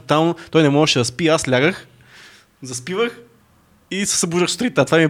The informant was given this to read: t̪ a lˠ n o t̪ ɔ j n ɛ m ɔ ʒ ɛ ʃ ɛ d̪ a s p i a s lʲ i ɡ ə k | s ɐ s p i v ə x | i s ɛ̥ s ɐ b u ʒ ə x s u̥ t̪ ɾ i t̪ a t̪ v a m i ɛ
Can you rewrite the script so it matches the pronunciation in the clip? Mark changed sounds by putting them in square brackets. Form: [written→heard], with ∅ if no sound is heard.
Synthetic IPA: t̪ a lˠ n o t̪ ɔ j n ɛ m ɔ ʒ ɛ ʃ ɛ d̪ [a→ɐ] s p i a s lʲ [i→a] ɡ ə [k→x] | [s→z] ɐ s p i v ə x | i s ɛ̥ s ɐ b u ʒ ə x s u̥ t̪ ɾ i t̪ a t̪ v a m i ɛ